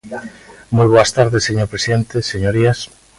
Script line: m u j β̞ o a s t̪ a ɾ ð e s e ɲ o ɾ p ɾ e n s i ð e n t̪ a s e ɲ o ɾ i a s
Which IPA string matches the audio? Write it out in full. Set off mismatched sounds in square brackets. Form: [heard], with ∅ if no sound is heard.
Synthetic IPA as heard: m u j β̞ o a s t̪ a ɾ ð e s e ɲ o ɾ p ɾ e [∅] s i ð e n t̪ [e] s e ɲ o ɾ i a s